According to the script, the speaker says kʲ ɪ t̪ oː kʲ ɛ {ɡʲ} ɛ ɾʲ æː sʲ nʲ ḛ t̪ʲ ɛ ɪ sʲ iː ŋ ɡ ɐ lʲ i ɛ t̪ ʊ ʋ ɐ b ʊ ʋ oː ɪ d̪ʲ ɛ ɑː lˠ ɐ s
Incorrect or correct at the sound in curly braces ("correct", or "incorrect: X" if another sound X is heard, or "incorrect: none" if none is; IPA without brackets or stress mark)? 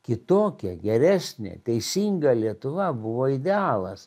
correct